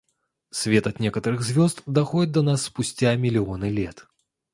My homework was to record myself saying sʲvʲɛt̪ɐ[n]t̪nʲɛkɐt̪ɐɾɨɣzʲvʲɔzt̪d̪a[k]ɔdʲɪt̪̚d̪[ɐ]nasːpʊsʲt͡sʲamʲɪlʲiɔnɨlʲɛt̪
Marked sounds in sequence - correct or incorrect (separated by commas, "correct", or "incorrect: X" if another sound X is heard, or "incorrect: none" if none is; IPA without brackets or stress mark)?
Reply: incorrect: none, incorrect: x, correct